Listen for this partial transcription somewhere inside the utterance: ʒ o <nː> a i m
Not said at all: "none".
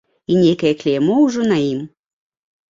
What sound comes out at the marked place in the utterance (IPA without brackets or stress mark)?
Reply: n